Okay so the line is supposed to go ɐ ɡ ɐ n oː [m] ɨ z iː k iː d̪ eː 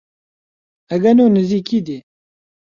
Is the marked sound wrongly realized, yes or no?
yes